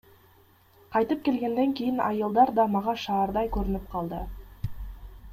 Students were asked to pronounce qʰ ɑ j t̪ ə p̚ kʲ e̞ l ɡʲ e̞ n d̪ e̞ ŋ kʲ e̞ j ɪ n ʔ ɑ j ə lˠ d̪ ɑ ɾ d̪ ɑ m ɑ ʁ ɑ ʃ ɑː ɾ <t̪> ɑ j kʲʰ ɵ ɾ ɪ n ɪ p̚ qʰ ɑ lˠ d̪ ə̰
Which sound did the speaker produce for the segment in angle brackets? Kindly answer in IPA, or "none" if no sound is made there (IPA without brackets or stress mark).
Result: d̪